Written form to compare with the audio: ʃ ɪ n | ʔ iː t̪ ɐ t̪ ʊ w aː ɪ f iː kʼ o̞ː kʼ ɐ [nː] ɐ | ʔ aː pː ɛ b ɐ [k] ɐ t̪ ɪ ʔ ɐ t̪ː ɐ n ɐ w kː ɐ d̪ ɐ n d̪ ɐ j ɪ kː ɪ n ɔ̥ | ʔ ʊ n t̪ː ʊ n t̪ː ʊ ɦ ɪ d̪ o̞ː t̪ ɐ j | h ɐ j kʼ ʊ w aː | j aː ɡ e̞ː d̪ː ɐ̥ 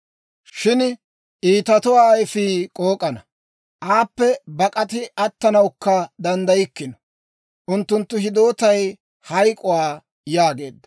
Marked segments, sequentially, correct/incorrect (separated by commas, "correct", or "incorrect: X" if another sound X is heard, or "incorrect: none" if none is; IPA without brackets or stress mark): incorrect: n, incorrect: kʼ